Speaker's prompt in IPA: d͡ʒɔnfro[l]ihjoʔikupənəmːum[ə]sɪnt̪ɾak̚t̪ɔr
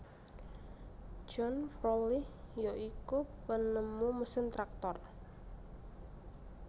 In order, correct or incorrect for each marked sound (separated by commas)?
correct, correct